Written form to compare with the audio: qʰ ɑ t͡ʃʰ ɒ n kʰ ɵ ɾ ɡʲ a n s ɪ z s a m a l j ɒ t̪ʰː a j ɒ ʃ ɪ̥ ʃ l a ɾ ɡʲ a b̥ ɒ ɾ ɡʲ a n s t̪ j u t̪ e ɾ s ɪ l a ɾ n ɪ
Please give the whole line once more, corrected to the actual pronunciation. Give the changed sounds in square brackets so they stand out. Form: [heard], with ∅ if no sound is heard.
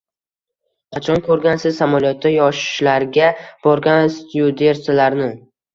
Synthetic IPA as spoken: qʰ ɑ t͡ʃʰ ɒ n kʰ ɵ ɾ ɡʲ a n s ɪ z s a m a l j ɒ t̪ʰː a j ɒ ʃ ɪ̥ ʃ l a ɾ ɡʲ a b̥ ɒ ɾ ɡʲ a n s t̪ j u [d̪] e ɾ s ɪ l a ɾ n ɪ

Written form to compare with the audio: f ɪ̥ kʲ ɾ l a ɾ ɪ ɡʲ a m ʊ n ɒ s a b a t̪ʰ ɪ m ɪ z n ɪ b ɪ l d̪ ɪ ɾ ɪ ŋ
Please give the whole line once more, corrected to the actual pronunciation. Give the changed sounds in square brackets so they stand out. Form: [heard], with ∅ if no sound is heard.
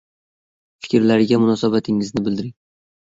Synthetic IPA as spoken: f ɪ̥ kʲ ɾ l a ɾ ɪ ɡʲ a m ʊ n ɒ s a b a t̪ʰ ɪ [ŋ] ɪ z n ɪ b ɪ l d̪ ɪ ɾ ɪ ŋ

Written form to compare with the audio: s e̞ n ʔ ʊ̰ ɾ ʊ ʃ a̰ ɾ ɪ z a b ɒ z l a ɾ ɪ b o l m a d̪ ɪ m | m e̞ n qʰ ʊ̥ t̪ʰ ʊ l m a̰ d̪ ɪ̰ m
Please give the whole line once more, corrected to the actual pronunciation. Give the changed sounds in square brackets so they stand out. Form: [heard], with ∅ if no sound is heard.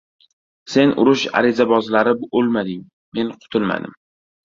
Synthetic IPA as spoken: s e̞ n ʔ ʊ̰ ɾ ʊ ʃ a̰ ɾ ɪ z a b ɒ z l a ɾ ɪ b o l m a d̪ ɪ [ŋ] | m e̞ n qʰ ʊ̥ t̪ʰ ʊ l m a̰ d̪ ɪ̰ m

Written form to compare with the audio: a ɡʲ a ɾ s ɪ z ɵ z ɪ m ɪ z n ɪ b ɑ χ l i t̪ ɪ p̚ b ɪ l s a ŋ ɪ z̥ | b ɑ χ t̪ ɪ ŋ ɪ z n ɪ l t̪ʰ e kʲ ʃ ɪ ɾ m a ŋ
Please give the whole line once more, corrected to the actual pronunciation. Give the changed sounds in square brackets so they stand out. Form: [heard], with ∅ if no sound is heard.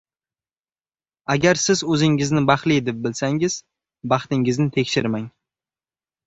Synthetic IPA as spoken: a ɡʲ a ɾ s ɪ z ɵ z ɪ [ŋ] ɪ z n ɪ b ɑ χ l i [d̪] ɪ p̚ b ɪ l s a ŋ ɪ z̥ | b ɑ χ t̪ ɪ ŋ ɪ z n ɪ [∅] t̪ʰ e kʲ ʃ ɪ ɾ m a ŋ

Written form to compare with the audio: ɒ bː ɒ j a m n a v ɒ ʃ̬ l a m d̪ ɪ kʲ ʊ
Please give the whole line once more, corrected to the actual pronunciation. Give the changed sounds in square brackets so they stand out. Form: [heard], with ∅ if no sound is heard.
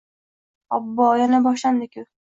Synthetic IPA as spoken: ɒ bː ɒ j a [∅] n a [b] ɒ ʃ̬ l a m d̪ ɪ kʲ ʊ

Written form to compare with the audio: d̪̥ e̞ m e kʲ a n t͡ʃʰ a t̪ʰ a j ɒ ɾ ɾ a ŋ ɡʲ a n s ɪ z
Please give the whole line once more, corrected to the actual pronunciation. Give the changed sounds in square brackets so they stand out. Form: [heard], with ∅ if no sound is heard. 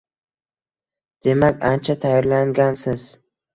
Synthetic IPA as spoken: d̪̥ e̞ m [a] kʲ a n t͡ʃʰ a t̪ʰ a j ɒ ɾ [l] a ŋ ɡʲ a n s ɪ z

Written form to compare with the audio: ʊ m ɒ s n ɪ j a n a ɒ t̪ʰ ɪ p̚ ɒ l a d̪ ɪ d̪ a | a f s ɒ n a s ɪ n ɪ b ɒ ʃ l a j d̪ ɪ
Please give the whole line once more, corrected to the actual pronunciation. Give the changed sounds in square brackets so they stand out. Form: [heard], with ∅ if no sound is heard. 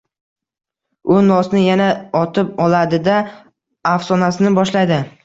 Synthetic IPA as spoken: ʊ [n] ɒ s n ɪ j a n a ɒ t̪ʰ ɪ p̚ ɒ l a d̪ ɪ d̪ a | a f s ɒ n a s ɪ n ɪ b ɒ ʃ l a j d̪ ɪ

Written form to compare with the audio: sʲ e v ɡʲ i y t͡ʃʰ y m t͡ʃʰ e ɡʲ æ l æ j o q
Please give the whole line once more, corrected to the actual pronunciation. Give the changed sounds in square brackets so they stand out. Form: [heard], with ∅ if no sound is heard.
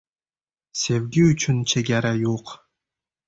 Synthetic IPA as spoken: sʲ e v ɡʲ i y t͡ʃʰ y [n] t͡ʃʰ e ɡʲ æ [ɾ] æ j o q

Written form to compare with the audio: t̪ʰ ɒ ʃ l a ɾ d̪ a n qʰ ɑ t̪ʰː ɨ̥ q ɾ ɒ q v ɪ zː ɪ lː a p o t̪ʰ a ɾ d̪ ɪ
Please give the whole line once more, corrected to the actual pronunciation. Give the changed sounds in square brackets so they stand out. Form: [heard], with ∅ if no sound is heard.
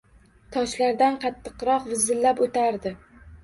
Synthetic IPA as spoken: t̪ʰ ɒ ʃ l a ɾ d̪ a n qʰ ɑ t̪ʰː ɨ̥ q ɾ ɒ q v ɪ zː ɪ lː a p o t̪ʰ a ɾ d̪ ɪ

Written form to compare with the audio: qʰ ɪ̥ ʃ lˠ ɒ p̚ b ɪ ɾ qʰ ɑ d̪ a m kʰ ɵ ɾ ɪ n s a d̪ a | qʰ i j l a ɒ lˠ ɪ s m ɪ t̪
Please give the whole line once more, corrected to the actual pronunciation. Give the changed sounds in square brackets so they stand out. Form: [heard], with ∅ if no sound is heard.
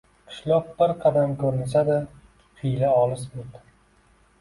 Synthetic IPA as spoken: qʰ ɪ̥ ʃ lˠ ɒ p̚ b ɪ ɾ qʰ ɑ d̪ a m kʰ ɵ ɾ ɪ n s a d̪ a | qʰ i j l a ɒ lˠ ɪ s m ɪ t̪

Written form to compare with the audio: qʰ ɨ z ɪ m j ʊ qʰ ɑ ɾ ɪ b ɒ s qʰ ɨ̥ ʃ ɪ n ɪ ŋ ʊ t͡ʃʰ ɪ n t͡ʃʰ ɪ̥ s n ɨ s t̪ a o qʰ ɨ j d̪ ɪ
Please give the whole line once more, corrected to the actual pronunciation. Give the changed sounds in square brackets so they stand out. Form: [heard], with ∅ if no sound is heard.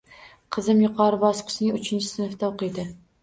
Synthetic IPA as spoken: qʰ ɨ z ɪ m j ʊ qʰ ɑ ɾ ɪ b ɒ s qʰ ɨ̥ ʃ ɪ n ɪ ŋ ʊ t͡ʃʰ ɪ n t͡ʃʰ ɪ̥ s n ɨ [f] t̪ a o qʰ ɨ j d̪ ɪ

